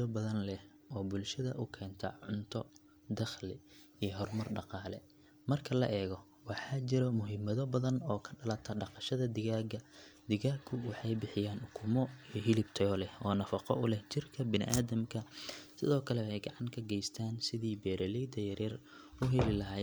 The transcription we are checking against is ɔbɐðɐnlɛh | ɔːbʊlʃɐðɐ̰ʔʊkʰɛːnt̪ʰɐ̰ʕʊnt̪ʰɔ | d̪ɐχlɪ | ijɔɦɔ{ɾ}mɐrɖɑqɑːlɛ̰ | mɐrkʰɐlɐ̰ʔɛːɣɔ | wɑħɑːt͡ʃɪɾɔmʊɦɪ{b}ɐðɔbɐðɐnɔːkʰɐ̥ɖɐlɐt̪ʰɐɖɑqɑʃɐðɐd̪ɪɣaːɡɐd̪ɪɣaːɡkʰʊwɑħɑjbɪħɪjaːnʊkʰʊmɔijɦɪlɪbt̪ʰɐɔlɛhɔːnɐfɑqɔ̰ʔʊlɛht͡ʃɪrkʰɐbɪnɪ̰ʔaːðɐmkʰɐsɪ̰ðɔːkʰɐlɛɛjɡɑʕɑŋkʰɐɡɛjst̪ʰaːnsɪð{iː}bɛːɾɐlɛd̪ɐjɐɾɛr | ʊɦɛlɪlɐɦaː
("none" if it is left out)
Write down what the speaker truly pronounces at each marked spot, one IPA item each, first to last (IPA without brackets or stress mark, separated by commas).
r, m, iː